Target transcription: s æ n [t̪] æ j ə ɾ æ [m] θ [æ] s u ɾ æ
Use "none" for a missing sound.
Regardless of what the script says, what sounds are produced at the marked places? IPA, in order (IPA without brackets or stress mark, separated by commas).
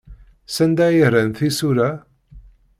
d̪, n, i